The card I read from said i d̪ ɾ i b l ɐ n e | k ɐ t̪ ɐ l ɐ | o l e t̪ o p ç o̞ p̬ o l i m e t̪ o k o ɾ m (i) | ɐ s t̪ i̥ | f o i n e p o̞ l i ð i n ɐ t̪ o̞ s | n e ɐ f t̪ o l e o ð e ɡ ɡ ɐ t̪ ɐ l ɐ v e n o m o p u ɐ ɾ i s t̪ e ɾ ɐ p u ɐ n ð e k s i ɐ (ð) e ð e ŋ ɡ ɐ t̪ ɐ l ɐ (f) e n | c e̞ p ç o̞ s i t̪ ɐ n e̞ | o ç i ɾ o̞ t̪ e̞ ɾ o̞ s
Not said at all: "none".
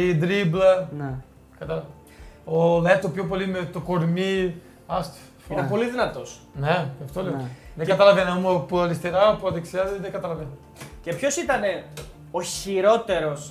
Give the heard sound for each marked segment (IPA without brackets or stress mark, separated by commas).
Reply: i, z, v